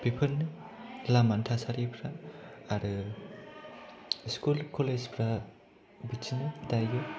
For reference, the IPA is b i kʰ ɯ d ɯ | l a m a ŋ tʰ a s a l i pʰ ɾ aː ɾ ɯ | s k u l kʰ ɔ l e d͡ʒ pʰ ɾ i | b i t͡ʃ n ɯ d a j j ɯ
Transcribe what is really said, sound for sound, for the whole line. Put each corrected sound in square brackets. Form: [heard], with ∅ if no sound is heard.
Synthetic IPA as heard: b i [pʰ] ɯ [n] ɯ | l a m a [n] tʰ a s a [ɾ] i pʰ ɾ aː ɾ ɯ | s k u l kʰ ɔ l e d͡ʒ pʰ ɾ [a] | b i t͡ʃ n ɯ d a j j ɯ

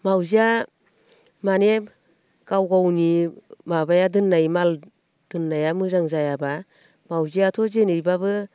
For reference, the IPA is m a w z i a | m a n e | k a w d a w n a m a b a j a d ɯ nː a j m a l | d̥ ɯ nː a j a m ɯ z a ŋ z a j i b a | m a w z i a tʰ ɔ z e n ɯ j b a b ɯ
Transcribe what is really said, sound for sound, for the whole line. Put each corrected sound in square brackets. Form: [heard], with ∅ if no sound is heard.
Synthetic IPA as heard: m a w z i a | m a n e | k a w [ɡ] a w n [i] m a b a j a d ɯ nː a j m a l | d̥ ɯ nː a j a m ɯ z a ŋ z a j [a] b a | m a w z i a tʰ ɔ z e n ɯ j b a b ɯ

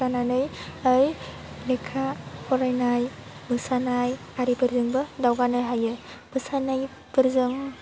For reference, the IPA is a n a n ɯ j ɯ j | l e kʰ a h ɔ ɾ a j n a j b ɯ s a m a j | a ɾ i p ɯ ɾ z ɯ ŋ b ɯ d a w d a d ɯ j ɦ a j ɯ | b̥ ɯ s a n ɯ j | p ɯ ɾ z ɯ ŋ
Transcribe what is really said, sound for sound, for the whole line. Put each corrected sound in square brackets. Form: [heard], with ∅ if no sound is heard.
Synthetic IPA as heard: a n a n ɯ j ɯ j | l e kʰ a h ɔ ɾ a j n a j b ɯ s a [n] a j | a ɾ i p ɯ ɾ z ɯ ŋ b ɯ d a w [ɡ] a [n] ɯ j ɦ a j ɯ | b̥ ɯ s a n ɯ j | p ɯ ɾ z ɯ ŋ

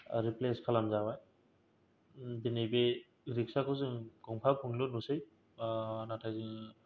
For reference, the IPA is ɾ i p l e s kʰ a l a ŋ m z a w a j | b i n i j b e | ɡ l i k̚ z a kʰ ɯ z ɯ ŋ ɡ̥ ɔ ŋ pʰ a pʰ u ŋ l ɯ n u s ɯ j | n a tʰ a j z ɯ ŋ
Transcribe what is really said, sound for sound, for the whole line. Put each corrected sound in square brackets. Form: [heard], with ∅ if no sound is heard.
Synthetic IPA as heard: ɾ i p l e s kʰ a l a [∅] m z a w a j | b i n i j b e | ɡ [ɾ] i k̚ [s] a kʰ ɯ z ɯ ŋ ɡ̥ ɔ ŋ pʰ a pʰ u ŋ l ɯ n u s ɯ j | n a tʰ a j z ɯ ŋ

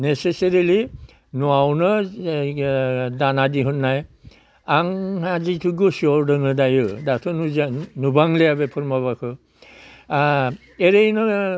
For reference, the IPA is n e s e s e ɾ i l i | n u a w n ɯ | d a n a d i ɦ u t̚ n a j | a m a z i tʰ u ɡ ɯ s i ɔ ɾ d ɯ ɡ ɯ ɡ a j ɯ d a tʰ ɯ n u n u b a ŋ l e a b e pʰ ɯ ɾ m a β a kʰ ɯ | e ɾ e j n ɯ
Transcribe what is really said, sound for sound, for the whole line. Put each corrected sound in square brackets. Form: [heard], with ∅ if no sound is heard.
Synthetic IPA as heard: n e s e s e ɾ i l i | n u a w n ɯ | d a n a d i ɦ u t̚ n a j | a [ŋ] a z i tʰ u ɡ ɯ s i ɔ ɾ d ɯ [ŋ] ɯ [d] a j ɯ d a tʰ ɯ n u n u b a ŋ l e a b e pʰ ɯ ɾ m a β a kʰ ɯ | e ɾ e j n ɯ

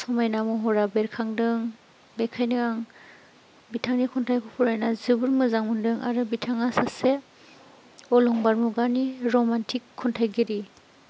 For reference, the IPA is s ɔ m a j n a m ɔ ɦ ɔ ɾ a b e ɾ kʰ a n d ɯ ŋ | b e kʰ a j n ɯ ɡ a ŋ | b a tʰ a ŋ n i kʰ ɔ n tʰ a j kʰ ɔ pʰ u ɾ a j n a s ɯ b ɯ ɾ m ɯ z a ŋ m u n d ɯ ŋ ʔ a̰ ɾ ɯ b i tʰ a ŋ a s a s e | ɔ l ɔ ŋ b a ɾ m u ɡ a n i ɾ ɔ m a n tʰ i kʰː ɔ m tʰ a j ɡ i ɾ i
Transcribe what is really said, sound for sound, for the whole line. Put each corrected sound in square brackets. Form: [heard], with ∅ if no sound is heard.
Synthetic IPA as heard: s ɔ m a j n a m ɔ ɦ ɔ ɾ a b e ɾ kʰ a [ŋ] d ɯ ŋ | b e kʰ a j n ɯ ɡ a ŋ | b [i] tʰ a ŋ n i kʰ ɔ n tʰ a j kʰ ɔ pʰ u ɾ a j n a [z] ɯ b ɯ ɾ m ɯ z a ŋ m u n d ɯ ŋ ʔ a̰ ɾ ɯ b i tʰ a ŋ a s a s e | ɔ l ɔ ŋ b a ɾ m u ɡ a n i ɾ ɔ m a n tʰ i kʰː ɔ [n] tʰ a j ɡ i ɾ i

